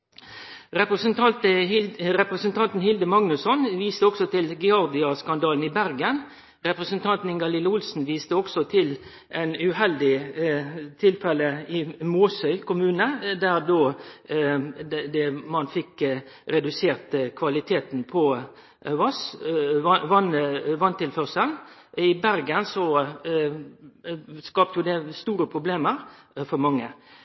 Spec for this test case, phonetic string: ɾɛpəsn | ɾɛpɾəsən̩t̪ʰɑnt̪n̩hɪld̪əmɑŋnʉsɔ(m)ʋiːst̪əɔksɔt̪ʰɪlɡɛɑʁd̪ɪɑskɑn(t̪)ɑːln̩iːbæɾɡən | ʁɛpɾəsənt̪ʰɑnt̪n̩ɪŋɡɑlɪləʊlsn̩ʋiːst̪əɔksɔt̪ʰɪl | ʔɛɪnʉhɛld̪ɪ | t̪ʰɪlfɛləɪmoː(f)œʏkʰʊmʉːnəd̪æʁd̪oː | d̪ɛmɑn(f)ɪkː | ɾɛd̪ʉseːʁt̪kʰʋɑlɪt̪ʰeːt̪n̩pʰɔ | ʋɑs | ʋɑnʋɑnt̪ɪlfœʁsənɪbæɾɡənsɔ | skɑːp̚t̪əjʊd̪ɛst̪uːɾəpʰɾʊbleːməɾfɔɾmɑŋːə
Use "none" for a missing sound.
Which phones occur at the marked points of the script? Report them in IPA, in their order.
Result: n, d̪, s, f

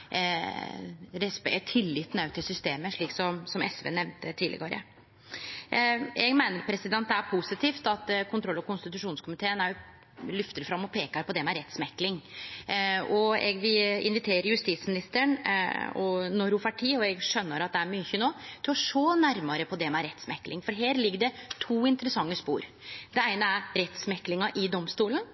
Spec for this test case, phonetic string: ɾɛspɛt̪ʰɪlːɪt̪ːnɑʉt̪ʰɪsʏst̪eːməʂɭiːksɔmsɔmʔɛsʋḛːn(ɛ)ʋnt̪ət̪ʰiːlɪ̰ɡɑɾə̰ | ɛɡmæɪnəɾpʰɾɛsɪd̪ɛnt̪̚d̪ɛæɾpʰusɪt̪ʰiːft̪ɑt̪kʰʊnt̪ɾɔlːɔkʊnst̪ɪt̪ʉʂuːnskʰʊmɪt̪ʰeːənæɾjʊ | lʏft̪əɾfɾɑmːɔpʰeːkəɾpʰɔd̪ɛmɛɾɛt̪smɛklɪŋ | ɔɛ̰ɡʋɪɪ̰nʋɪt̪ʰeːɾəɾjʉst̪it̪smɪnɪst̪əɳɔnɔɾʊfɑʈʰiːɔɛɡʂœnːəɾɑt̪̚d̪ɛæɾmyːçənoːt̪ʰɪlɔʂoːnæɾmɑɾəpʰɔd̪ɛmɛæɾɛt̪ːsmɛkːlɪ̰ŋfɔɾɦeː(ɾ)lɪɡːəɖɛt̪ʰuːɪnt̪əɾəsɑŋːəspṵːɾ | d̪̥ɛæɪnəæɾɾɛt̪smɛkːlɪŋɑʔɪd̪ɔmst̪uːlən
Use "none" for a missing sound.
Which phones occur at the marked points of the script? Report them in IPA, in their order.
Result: ɛ, ɾ

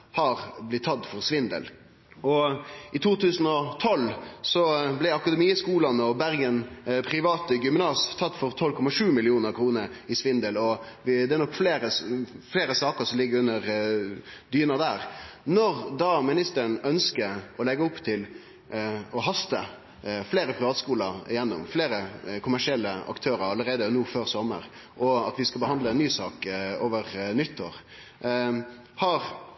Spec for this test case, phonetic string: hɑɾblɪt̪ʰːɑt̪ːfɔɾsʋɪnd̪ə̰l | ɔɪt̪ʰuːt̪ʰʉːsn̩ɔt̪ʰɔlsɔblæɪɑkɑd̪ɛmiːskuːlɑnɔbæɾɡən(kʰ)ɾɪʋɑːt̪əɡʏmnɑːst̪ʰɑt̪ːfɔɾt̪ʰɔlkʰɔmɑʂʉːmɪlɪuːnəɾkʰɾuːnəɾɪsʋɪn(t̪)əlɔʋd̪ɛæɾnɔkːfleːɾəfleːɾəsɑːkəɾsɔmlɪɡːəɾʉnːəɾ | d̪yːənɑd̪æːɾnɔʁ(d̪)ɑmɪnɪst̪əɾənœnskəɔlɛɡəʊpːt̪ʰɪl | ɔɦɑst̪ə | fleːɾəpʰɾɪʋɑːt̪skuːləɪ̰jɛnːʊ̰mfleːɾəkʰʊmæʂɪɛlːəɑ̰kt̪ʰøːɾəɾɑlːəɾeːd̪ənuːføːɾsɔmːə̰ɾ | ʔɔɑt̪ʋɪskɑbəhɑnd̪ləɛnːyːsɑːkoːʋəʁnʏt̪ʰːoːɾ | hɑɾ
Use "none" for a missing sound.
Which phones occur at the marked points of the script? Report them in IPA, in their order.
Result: pʰ, d̪, d̪

